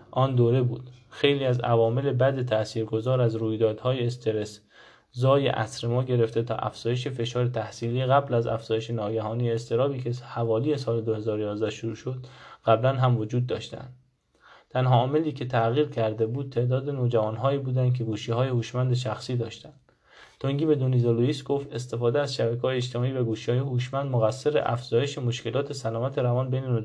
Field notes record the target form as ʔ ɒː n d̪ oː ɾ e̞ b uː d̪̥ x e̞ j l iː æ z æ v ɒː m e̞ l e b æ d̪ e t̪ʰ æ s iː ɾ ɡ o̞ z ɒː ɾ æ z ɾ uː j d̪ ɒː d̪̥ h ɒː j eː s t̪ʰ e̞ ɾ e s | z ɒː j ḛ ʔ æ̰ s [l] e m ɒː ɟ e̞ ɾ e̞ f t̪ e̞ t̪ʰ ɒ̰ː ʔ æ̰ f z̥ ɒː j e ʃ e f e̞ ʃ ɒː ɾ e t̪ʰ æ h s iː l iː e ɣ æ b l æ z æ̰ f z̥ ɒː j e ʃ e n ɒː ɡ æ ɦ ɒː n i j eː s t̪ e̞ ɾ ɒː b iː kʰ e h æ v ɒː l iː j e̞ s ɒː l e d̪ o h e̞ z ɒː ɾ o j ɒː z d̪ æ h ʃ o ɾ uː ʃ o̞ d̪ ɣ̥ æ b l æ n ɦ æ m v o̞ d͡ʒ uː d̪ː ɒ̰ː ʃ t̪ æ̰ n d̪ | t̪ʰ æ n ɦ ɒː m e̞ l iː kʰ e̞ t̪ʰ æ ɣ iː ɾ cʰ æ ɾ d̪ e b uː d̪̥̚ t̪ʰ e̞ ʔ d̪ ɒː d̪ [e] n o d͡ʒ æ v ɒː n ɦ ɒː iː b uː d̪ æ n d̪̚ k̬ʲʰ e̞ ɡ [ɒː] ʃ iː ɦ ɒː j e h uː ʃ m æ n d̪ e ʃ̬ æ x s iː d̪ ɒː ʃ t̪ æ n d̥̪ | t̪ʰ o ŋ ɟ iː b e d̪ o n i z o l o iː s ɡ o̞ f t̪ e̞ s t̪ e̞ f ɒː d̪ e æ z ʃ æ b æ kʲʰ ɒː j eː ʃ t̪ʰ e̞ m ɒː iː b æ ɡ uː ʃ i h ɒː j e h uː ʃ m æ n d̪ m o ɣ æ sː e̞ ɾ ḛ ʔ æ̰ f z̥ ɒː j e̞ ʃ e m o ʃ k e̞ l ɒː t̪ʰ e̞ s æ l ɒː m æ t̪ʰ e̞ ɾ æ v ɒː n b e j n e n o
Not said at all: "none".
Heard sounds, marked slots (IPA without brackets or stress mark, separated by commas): ɾ, e, uː